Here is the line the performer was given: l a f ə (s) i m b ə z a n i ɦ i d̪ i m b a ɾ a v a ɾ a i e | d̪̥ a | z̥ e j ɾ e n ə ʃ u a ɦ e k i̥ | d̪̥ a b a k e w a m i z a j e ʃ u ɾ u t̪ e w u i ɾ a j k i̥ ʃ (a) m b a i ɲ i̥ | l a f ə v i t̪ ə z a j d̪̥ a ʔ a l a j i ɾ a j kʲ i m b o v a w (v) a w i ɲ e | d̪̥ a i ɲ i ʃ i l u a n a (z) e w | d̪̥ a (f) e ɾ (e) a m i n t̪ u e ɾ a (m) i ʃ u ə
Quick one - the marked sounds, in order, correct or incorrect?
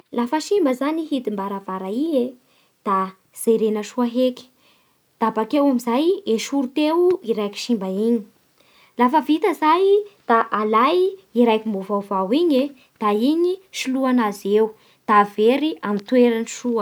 incorrect: ʃ, incorrect: i, correct, correct, incorrect: v, incorrect: i, incorrect: n

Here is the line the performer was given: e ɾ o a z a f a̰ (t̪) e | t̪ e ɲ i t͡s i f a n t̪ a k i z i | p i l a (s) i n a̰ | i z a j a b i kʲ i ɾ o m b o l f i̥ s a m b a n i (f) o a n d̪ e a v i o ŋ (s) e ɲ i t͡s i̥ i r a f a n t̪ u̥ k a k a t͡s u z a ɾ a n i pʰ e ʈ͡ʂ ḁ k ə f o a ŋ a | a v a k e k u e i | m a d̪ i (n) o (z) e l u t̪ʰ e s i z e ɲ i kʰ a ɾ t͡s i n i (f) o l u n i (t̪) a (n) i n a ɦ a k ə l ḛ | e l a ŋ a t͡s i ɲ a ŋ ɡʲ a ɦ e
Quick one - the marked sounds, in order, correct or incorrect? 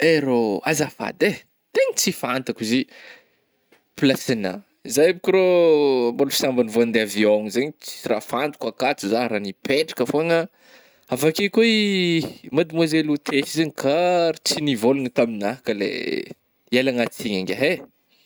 incorrect: d̪, correct, incorrect: v, incorrect: z, incorrect: m, correct, incorrect: v, correct, incorrect: m

